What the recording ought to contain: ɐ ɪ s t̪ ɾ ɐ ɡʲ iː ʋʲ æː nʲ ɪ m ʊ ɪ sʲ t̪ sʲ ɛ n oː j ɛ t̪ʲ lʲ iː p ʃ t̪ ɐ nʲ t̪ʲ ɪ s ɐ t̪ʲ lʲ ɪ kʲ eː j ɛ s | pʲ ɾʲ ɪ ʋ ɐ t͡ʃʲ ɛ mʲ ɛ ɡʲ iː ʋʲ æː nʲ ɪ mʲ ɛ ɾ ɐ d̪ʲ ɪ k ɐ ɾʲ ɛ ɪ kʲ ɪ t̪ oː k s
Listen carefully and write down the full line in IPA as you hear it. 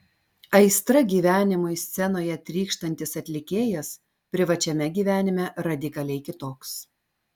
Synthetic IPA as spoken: ɐ ɪ s t̪ ɾ ɐ ɡʲ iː ʋʲ æː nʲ ɪ m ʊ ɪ sʲ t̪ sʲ ɛ n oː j ɛ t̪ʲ ɾʲ iː k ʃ t̪ ɐ nʲ t̪ʲ ɪ s ɐ t̪ʲ lʲ ɪ kʲ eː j ɛ s | pʲ ɾʲ ɪ ʋ ɐ t͡ʃʲ ɛ mʲ ɛ ɡʲ iː ʋʲ æː nʲ ɪ mʲ ɛ ɾ ɐ d̪ʲ ɪ k ɐ lʲ ɛ ɪ kʲ ɪ t̪ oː k s

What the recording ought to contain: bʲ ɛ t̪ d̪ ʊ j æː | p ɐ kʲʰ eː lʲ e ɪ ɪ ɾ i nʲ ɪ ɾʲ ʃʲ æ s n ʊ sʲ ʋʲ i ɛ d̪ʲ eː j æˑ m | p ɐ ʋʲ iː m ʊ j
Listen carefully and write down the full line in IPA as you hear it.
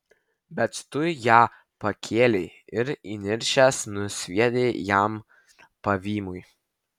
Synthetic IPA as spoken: bʲ ɛ t̪ t̪ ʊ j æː | p ɐ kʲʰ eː lʲ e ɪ ɪ ɾ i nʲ ɪ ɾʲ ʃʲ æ s n ʊ sʲ ʋʲ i ɛ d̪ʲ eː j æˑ m | p ɐ ʋʲ iː m ʊ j

